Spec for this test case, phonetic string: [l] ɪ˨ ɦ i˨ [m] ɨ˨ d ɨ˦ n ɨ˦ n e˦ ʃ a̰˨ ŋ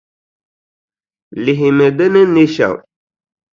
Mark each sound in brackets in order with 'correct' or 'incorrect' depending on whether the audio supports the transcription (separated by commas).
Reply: correct, correct